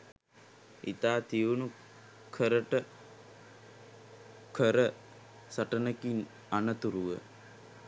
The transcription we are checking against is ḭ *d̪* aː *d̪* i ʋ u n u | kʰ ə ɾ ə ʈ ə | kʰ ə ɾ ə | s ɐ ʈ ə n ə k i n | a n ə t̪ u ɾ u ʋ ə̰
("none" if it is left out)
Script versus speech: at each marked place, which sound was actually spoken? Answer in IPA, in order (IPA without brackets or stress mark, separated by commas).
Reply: t̪, t̪